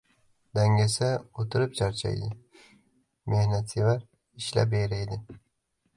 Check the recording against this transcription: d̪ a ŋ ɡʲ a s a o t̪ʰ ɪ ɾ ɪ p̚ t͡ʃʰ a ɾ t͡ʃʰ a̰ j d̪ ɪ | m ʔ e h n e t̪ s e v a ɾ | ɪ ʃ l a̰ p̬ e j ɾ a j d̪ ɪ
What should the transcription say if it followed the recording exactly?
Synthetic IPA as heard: d̪ a ŋ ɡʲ a s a o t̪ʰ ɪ ɾ ɪ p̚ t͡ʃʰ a ɾ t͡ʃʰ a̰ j d̪ ɪ | m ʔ e h n a t̪ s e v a ɾ | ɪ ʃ l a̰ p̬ e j ɾ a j d̪ ɪ